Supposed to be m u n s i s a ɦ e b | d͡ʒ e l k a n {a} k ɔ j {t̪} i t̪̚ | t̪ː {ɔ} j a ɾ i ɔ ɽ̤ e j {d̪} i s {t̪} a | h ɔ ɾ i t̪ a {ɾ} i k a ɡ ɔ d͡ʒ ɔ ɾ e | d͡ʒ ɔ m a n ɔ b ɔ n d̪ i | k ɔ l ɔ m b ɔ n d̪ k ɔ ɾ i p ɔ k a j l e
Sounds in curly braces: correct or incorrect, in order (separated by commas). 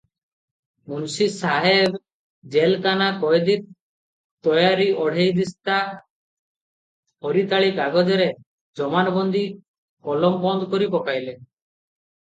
correct, incorrect, correct, correct, correct, incorrect